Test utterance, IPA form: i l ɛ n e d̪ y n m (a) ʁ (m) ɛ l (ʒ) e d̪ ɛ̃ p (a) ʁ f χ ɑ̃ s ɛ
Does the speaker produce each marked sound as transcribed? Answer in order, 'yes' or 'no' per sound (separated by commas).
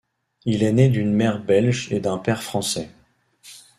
no, no, yes, no